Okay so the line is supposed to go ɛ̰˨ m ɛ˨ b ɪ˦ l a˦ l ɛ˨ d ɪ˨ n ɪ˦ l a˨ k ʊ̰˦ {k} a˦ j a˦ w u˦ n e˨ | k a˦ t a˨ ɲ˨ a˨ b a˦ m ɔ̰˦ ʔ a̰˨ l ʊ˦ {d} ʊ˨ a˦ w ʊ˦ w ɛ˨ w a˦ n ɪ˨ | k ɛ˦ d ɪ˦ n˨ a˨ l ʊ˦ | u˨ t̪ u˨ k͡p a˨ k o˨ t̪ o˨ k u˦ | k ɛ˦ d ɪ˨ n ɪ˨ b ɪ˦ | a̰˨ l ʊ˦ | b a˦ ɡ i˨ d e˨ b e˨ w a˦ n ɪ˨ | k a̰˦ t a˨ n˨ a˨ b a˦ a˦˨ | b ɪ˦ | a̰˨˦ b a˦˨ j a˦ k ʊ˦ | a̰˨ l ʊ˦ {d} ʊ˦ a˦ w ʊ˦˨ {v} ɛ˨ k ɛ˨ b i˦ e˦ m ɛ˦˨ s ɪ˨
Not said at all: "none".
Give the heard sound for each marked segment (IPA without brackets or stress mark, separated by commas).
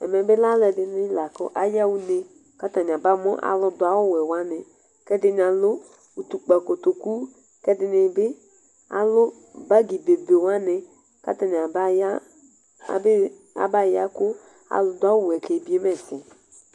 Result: ʔ, d, d, w